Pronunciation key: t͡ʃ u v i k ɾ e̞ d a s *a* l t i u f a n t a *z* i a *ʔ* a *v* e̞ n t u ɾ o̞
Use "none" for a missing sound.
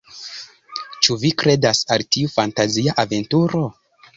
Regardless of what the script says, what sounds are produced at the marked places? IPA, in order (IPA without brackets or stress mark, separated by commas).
a, z, ʔ, v